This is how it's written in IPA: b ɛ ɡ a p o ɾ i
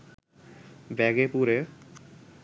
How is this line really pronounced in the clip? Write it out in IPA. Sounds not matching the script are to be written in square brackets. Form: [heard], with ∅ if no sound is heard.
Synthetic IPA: b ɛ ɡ [e] p [u] ɾ [e]